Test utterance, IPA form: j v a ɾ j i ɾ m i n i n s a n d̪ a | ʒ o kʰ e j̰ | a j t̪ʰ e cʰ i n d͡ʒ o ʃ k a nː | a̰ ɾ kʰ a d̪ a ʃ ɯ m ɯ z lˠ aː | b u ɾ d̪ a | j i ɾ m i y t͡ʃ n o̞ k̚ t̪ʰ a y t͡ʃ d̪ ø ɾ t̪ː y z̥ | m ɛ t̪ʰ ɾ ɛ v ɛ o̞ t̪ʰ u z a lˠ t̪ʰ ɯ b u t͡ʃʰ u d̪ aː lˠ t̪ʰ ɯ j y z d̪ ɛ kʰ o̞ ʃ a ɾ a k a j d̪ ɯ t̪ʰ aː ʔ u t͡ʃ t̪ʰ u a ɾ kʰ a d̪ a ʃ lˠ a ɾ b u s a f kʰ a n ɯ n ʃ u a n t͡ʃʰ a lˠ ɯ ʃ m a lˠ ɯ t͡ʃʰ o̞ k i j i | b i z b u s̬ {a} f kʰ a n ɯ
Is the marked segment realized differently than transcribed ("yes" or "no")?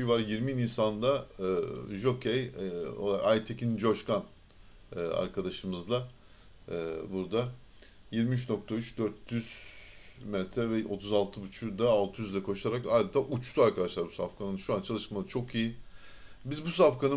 no